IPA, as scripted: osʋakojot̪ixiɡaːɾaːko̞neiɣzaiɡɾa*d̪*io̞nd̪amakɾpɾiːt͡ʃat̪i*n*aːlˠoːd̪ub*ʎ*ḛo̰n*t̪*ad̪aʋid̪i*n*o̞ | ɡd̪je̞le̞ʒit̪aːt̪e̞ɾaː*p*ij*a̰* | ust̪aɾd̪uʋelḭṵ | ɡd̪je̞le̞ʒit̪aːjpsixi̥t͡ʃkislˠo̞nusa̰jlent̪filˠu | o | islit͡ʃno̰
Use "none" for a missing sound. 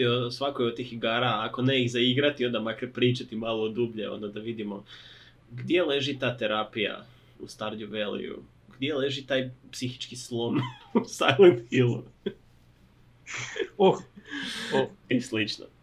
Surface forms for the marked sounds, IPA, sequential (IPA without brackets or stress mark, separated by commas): t̪, m, ʎ, d̪, m, p, a̰